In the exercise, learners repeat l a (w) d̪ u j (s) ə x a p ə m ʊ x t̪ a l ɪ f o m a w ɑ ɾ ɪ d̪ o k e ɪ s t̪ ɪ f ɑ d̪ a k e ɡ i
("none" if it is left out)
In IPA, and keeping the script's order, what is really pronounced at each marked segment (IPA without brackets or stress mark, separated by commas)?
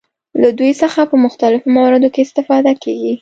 none, s